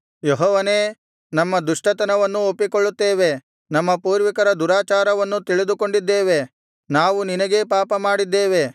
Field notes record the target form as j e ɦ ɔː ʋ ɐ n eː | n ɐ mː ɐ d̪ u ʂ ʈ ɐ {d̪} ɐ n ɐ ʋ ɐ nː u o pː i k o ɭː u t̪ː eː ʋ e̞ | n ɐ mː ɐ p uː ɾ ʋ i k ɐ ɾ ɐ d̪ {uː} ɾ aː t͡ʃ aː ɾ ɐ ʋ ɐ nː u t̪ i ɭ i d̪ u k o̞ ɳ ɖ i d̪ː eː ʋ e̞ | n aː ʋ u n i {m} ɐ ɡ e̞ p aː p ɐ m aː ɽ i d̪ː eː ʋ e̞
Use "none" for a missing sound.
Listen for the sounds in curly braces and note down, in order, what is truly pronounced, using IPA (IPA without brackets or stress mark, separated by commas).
t̪, u, n